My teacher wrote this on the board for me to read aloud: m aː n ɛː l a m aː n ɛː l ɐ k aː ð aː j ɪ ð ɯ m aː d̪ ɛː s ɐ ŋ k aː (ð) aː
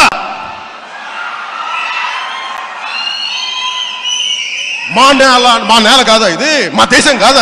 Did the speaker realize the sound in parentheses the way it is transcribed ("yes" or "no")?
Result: yes